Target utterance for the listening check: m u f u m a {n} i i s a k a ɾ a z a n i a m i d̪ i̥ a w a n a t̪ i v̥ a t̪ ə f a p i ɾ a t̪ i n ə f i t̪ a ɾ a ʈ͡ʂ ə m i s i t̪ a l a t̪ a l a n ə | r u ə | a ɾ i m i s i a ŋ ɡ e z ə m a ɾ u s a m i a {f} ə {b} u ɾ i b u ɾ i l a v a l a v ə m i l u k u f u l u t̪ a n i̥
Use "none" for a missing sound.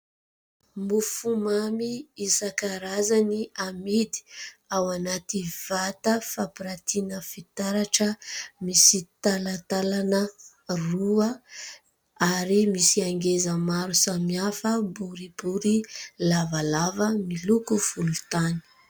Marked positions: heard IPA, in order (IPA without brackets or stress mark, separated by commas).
m, f, b